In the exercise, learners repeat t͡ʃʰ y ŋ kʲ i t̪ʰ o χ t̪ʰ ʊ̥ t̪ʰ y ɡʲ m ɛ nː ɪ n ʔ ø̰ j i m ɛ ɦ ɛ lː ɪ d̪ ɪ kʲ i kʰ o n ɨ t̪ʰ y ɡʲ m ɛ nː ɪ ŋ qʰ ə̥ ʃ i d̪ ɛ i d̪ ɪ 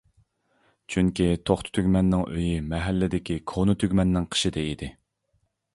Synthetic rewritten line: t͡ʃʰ y ŋ kʲ i t̪ʰ o χ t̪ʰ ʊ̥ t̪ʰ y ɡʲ m ɛ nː ɪ ŋ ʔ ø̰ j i m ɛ ɦ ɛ lː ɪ d̪ ɪ kʲ i kʰ o n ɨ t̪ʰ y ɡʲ m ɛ nː ɪ ŋ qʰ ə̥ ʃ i d̪ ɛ i d̪ ɪ

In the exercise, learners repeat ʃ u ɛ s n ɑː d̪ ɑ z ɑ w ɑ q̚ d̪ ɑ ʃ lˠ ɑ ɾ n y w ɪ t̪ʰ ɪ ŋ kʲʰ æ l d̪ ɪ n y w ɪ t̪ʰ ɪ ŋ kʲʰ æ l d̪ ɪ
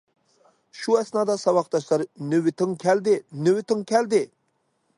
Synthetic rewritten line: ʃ u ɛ s n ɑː d̪ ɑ s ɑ w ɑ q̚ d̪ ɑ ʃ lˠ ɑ ɾ n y w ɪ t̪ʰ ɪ ŋ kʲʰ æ l d̪ ɪ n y w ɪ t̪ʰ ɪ ŋ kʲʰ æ l d̪ ɪ

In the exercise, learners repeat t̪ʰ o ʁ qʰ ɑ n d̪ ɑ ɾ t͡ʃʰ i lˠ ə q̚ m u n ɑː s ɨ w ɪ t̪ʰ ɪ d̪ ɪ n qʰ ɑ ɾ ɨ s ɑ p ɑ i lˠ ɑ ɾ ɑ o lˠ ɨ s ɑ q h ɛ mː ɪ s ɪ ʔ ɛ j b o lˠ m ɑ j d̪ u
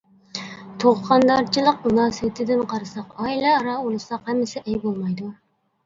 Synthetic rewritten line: t̪ʰ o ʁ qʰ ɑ n d̪ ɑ ɾ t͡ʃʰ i lˠ ə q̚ m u n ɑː s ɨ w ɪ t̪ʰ ɪ d̪ ɪ n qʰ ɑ ɾ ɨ s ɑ q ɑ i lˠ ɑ ɾ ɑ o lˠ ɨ s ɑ q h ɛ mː ɪ s ɪ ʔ ɛ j b o lˠ m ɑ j d̪ u

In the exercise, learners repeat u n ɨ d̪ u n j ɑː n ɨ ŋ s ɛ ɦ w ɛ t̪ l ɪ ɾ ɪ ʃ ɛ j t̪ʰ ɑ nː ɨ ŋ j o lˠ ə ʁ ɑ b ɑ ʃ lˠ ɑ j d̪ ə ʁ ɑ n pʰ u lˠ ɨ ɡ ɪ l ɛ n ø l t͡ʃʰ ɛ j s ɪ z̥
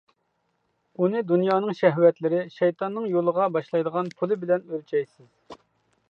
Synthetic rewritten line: u n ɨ d̪ u n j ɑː n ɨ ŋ ʃ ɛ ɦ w ɛ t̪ l ɪ ɾ ɪ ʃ ɛ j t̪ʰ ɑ nː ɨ ŋ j o lˠ ə ʁ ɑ b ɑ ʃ lˠ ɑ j d̪ ə ʁ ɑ n pʰ u lˠ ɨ b ɪ l ɛ n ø l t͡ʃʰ ɛ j s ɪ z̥

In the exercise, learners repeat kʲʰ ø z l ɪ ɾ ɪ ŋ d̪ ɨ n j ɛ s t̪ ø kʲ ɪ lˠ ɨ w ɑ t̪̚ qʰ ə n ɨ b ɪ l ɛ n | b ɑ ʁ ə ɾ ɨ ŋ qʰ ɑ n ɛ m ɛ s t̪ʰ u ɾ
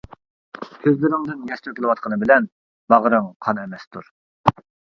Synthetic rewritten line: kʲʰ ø z l ɪ ɾ ɪ ŋ d̪ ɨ n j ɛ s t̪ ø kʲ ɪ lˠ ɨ w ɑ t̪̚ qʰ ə n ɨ b ɪ l ɛ n | b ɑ ʁ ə ɾ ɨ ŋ qʰ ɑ n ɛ m ɛ s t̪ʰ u ɾ

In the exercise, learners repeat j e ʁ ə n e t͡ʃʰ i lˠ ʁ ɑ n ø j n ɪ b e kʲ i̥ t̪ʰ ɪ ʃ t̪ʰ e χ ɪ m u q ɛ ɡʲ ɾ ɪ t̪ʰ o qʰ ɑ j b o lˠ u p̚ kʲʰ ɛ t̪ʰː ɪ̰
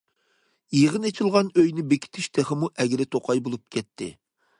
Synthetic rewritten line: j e ʁ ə n e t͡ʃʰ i lˠ ʁ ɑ n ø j n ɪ b e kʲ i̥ t̪ʰ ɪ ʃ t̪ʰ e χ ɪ m u ʔ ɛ ɡʲ ɾ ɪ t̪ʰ o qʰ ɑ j b o lˠ u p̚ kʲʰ ɛ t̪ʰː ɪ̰

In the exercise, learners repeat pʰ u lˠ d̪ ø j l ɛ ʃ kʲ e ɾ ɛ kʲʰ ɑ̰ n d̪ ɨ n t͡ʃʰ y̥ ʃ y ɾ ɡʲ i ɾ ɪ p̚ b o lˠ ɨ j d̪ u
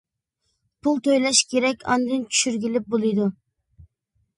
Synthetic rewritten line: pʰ u lˠ t̪ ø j l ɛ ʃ kʲ e ɾ ɛ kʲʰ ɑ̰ n d̪ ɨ n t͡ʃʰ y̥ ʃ y ɾ ɡʲ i l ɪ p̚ b o lˠ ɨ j d̪ u

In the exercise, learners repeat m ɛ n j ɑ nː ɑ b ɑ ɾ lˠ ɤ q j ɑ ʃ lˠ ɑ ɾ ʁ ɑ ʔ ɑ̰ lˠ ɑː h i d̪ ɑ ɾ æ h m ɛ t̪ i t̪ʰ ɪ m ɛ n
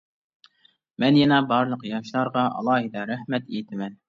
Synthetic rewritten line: m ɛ n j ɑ n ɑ b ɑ ɾ lˠ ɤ q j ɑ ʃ lˠ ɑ ɾ ʁ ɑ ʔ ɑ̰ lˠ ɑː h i d̪ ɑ ɾ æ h m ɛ t̪ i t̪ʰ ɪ m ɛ n

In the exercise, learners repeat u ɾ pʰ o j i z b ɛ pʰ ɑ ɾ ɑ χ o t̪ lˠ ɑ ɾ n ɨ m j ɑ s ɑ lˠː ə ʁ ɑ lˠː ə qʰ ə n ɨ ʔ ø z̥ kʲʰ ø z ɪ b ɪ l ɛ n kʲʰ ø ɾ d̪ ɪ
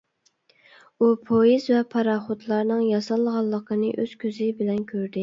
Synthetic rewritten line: u pʰ o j i z v ɛ pʰ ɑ ɾ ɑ χ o t̪ lˠ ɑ ɾ n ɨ ŋ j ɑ s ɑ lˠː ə ʁ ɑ lˠː ə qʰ ə n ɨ ʔ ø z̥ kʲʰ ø z ɪ b ɪ l ɛ n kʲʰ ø ɾ d̪ ɪ

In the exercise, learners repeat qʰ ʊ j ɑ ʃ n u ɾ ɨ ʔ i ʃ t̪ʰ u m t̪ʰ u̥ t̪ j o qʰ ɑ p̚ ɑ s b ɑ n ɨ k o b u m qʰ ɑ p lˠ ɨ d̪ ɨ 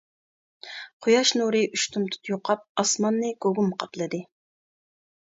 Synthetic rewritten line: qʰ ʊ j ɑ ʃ n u ɾ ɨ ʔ y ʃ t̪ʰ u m t̪ʰ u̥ t̪ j o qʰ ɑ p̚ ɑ s m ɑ nː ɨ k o ɡ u m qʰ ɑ p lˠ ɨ d̪ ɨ

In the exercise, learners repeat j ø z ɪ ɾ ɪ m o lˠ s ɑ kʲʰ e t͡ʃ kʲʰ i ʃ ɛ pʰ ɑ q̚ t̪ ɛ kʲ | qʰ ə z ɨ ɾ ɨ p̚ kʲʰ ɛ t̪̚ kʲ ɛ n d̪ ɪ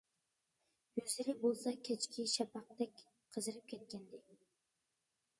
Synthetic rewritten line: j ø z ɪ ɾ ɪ b o lˠ s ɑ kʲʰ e t͡ʃ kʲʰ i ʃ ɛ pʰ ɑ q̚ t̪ ɛ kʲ | qʰ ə z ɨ ɾ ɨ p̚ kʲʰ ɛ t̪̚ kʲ ɛ n d̪ ɪ

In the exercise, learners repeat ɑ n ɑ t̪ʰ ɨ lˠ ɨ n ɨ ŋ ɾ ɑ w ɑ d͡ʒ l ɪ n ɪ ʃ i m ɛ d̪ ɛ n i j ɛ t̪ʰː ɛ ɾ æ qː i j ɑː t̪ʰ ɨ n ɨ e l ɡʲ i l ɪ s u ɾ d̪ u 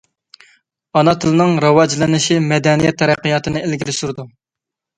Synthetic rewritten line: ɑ n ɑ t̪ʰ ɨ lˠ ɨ n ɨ ŋ ɾ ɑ w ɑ d͡ʒ l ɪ n ɪ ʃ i m ɛ d̪ ɛ n i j ɛ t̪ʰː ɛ ɾ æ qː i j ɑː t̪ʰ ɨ n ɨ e l ɡʲ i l ɪ s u ɾ d̪ u

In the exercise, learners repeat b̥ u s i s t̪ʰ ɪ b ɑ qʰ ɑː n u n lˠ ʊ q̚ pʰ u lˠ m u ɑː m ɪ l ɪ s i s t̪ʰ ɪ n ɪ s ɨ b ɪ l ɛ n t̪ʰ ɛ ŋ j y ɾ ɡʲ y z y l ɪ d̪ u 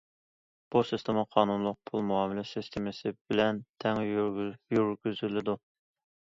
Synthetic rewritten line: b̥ u s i s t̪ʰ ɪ m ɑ qʰ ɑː n u n lˠ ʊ q̚ pʰ u lˠ m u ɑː m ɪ l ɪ s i s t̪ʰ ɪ m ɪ s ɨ b ɪ l ɛ n t̪ʰ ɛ ŋ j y ɾ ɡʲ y z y l ɪ d̪ u

